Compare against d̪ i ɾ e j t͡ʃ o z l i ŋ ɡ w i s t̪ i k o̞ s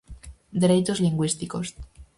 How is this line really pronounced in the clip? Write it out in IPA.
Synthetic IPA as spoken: d̪ e ɾ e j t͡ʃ o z l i ŋ ɡ w i s t̪ i k o̞ s